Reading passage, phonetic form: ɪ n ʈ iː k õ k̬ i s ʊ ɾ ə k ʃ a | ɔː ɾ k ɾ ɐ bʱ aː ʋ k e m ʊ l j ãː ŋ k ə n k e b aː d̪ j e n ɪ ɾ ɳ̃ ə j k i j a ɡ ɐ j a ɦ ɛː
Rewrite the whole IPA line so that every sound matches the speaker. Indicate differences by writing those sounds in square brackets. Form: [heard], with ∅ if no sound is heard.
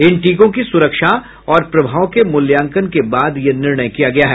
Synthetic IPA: ɪ n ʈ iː k õ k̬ i s ʊ ɾ ə k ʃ a | ɔː ɾ [p] ɾ ɐ bʱ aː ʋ k e m ʊ l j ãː ŋ k ə n k e b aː d̪ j e n ɪ ɾ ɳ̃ ə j k i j a ɡ ɐ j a ɦ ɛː